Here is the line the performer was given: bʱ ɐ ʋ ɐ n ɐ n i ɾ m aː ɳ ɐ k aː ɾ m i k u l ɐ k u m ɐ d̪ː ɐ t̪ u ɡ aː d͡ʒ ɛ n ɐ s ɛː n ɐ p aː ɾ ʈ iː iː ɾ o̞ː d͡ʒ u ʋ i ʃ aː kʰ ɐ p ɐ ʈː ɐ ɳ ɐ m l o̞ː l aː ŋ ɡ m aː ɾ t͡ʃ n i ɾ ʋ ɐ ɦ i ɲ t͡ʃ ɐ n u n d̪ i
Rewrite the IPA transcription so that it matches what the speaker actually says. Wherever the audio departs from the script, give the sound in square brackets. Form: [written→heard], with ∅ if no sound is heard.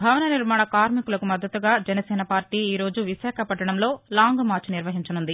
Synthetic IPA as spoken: bʱ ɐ ʋ ɐ n ɐ n i ɾ m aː ɳ ɐ k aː ɾ m i k u l ɐ k u m ɐ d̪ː ɐ t̪ u ɡ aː d͡ʒ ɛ n ɐ s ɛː n ɐ p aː ɾ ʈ iː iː ɾ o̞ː d͡ʒ u ʋ i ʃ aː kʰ ɐ p ɐ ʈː ɐ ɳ ɐ m l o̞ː l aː ŋ ɡ m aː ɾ t͡ʃ n i ɾ ʋ ɐ ɦ i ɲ t͡ʃ ɐ n u n d̪ i